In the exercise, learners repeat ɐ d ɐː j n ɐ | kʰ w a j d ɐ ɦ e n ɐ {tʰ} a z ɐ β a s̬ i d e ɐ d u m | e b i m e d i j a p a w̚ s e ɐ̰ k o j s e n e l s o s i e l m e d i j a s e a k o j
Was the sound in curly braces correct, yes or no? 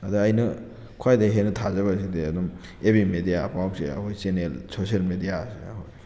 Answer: yes